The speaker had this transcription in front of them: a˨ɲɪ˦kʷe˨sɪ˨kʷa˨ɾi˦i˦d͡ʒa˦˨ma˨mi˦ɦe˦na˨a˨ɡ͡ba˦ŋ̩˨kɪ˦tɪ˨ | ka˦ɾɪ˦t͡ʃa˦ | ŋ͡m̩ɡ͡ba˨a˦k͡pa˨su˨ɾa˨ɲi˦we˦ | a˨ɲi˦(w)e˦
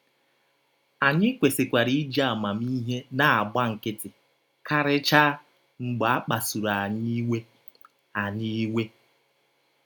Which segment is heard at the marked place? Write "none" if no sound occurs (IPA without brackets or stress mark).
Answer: w